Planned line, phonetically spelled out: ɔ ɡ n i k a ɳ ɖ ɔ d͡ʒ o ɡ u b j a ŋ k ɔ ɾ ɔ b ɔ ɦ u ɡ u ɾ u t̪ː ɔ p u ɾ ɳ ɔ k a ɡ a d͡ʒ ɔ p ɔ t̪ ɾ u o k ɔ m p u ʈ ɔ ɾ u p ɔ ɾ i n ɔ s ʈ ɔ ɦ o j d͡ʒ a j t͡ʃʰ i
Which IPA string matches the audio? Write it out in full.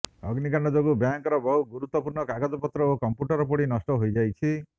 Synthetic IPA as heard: ɔ ɡ n i k a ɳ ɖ ɔ d͡ʒ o ɡ u b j a ŋ k ɔ ɾ ɔ b ɔ ɦ u ɡ u ɾ u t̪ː ɔ p u ɾ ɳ ɔ k a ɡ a d͡ʒ ɔ p ɔ t̪ ɾ ɔ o k ɔ m p u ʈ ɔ ɾ ɔ p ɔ ɽ i n ɔ s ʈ ɔ ɦ o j d͡ʒ a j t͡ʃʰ i